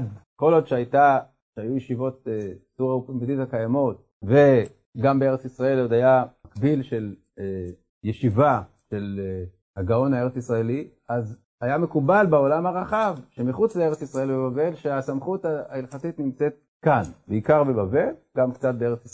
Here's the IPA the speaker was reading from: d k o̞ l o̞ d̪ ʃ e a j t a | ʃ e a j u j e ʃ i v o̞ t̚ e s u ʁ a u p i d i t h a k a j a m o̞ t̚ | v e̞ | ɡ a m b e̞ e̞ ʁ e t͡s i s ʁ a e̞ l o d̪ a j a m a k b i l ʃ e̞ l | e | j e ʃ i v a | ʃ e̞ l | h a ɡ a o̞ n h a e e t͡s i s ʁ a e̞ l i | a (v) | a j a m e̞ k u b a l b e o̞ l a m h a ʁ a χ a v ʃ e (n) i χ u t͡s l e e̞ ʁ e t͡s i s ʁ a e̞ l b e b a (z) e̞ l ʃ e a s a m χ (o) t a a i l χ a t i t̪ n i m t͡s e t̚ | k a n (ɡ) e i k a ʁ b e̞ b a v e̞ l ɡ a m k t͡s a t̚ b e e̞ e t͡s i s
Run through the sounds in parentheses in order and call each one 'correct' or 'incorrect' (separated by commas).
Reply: incorrect, incorrect, incorrect, incorrect, incorrect